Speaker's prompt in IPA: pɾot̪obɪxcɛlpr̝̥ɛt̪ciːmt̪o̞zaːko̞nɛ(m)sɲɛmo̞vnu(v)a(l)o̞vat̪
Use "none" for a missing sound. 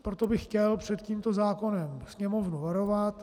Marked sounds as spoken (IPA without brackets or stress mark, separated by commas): m, v, ɾ